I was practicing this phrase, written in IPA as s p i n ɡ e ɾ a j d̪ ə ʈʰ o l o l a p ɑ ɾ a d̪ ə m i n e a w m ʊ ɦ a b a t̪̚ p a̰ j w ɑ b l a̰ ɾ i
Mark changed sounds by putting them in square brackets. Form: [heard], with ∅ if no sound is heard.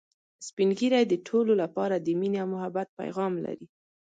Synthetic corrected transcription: s p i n ɡ [i] ɾ a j d̪ ə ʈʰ o l o l a p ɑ ɾ a d̪ ə m i n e a w m ʊ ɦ a b a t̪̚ p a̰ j [ɣ] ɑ [m] l a̰ ɾ i